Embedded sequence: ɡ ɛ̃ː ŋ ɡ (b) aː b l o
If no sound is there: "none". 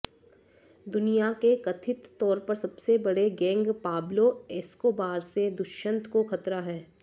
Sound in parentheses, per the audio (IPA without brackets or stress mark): p